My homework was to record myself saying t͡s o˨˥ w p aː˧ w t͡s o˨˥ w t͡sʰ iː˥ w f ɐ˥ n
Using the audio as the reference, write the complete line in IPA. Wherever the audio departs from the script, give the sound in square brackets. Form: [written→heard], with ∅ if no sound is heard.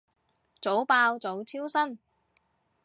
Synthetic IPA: t͡s o˨˥ w p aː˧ w t͡s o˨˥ w t͡sʰ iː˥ w [f→s] ɐ˥ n